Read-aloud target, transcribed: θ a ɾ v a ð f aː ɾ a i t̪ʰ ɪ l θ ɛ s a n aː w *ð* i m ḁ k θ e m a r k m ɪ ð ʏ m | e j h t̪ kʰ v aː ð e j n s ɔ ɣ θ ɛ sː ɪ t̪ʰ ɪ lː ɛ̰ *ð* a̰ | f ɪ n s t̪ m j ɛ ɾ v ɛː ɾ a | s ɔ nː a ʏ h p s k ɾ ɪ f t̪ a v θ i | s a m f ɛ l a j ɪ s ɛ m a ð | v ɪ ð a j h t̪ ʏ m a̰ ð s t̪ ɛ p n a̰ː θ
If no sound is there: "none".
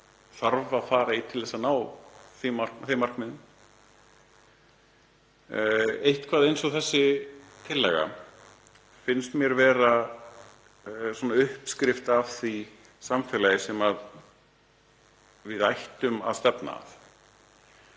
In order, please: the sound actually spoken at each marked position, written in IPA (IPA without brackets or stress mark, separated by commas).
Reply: θ, ɣ